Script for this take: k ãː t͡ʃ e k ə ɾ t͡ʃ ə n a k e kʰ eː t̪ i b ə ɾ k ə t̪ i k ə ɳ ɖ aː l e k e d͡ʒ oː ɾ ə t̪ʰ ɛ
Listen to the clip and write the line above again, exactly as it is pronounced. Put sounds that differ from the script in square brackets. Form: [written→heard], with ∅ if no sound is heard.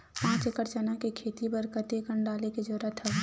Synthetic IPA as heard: [k→p] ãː t͡ʃ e k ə ɾ t͡ʃ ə n a k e kʰ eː t̪ i b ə ɾ k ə t̪ [i→e] k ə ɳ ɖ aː l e k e d͡ʒ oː ɾ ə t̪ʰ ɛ